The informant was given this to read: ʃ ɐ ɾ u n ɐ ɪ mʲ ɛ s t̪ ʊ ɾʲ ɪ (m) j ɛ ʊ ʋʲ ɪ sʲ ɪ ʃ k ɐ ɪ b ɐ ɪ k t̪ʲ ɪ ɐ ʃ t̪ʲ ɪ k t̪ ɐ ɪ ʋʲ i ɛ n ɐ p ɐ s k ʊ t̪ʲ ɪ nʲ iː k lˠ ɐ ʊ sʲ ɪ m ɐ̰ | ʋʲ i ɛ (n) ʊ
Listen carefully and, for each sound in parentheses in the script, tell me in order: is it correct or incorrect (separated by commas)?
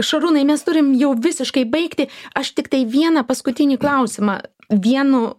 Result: correct, correct